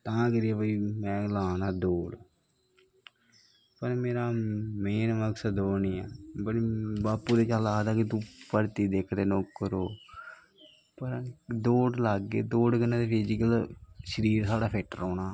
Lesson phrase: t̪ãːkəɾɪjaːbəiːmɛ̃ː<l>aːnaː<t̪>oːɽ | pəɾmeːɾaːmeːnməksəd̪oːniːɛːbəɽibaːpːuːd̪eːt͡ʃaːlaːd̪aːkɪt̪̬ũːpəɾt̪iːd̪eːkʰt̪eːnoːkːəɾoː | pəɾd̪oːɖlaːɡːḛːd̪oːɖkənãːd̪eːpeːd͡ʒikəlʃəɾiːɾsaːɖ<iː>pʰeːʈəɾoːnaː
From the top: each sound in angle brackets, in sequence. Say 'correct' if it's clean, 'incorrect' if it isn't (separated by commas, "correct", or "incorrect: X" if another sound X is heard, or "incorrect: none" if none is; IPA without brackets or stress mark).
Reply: correct, incorrect: d̪, incorrect: aː